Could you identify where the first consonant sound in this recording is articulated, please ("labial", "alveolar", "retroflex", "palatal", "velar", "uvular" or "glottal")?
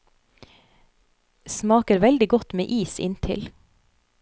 alveolar